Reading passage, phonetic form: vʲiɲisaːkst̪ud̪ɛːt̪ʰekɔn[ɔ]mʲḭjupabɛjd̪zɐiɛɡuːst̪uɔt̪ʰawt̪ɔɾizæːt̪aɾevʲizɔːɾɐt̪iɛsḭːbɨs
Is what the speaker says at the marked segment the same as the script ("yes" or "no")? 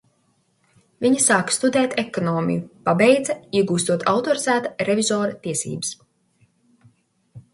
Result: no